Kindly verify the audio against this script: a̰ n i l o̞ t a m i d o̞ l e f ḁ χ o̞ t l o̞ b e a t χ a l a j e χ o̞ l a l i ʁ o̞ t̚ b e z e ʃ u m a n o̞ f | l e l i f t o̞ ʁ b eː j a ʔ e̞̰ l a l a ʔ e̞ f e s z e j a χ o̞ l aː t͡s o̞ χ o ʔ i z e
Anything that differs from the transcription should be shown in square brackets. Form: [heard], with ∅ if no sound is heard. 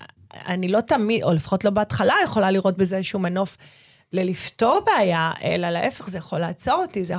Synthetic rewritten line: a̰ n i l o̞ t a m i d o̞ l e f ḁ χ o̞ t l o̞ b e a t χ a l a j e χ o̞ l a l i ʁ o̞ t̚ b e z e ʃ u m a n o̞ f | l e l i f t o̞ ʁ b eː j a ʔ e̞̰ l a l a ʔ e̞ f e [χ] z e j a χ o̞ l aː t͡s o̞ [ʁ] o [t] i z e